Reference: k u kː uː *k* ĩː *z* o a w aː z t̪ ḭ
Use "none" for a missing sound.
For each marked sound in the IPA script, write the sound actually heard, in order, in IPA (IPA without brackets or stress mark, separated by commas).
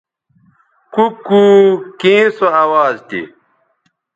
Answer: k, s